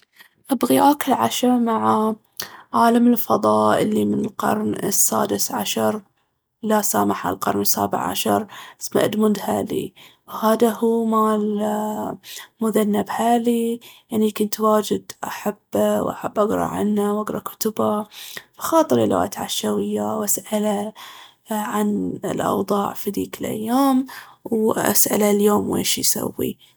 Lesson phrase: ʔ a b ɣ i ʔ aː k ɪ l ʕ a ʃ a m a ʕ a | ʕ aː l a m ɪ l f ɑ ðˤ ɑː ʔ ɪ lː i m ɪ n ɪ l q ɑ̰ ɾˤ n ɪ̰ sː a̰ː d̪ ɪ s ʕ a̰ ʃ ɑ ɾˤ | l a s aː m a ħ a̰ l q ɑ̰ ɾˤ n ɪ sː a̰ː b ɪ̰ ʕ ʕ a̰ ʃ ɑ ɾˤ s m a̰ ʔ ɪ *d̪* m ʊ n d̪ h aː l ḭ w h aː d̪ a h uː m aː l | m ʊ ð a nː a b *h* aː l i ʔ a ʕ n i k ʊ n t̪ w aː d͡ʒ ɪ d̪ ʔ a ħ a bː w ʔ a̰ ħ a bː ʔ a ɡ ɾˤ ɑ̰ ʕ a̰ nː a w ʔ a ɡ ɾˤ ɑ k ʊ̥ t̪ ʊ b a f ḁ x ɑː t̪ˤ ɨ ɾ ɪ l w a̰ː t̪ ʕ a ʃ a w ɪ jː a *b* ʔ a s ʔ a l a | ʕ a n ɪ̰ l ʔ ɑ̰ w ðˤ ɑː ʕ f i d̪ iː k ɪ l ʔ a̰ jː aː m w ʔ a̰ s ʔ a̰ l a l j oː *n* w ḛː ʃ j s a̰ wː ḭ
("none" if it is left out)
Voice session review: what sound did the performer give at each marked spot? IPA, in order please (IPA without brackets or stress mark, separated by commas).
d̪, h, w, m